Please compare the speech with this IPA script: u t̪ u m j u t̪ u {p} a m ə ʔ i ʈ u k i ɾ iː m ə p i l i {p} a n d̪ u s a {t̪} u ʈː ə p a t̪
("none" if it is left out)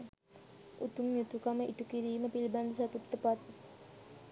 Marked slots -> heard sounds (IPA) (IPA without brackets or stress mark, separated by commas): k, b, t̪